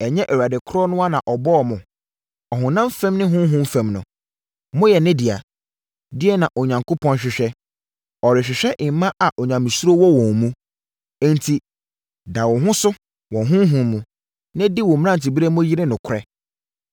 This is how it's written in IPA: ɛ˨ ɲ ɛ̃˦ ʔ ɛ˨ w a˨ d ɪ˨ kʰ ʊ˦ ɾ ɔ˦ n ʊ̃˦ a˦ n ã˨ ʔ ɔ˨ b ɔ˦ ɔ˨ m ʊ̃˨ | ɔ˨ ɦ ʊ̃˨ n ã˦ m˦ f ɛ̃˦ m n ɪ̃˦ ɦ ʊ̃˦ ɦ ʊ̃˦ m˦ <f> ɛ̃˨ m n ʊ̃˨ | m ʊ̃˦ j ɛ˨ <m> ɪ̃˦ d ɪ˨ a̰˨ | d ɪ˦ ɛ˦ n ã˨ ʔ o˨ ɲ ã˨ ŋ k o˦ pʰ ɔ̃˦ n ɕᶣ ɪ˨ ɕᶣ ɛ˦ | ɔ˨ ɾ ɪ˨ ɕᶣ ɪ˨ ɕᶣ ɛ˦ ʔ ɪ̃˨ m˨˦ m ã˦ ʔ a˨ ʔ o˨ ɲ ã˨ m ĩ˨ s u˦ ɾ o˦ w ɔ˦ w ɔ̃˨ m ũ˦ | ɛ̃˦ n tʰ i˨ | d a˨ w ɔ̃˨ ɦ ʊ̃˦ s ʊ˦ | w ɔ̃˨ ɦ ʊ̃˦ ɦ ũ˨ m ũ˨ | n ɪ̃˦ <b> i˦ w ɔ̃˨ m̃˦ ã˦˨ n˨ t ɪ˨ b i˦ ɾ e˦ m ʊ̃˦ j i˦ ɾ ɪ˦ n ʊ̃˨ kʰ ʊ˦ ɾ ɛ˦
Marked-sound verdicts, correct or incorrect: correct, incorrect: n, incorrect: d

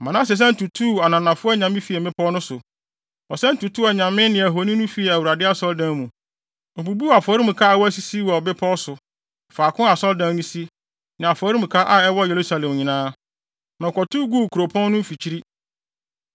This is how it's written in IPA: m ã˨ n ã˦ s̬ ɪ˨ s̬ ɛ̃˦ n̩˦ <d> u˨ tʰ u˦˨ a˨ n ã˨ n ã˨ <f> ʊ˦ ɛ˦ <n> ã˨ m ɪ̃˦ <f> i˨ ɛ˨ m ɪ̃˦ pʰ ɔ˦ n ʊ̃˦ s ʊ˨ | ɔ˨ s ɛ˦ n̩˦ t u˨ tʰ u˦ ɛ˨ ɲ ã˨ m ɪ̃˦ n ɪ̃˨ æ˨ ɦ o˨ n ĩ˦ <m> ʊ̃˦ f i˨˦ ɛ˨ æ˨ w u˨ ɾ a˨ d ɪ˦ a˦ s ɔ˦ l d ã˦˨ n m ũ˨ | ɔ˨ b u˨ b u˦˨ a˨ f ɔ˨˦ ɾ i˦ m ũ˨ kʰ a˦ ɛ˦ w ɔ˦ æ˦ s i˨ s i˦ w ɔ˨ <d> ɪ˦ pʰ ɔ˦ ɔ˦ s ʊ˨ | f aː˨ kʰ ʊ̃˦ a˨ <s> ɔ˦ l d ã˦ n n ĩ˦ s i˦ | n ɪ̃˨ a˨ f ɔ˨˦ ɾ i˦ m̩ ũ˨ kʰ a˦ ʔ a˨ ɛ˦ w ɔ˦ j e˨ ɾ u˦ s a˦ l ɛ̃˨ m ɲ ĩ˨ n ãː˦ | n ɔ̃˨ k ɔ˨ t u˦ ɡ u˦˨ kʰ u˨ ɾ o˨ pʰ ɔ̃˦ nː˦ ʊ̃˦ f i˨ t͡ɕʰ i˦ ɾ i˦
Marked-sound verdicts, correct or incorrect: incorrect: t, correct, incorrect: ɲ, correct, incorrect: n, incorrect: b, correct

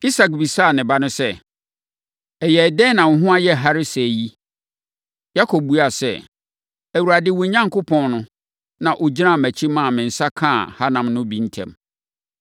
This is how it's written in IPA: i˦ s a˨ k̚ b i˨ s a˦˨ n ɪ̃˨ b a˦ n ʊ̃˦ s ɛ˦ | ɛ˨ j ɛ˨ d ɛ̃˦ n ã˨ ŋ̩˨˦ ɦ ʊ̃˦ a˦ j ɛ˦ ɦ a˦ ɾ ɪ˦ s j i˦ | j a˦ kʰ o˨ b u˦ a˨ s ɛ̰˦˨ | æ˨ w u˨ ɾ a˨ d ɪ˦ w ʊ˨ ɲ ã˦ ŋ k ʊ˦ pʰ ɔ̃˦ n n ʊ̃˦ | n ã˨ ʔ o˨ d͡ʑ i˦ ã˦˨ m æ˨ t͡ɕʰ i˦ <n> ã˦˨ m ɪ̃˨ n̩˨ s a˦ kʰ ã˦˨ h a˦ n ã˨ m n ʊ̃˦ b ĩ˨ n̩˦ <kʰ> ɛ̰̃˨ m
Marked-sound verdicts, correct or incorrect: incorrect: m, incorrect: tʰ

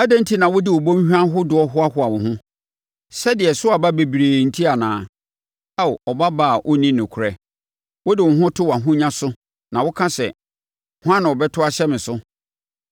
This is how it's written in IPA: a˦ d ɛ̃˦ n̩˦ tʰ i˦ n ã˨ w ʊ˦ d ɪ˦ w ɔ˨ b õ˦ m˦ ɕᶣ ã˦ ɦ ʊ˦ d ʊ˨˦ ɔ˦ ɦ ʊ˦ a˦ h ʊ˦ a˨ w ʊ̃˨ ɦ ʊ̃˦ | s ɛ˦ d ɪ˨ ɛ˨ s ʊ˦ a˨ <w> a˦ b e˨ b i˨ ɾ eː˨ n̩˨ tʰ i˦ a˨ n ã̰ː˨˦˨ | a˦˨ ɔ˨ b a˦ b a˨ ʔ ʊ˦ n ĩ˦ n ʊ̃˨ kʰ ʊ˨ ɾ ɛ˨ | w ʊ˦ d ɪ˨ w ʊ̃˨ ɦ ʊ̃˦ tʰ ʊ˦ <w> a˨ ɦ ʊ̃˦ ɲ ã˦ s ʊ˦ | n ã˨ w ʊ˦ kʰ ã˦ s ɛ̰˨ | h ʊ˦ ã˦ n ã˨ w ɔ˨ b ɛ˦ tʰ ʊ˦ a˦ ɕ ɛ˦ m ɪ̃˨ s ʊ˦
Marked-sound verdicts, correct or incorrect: incorrect: b, correct

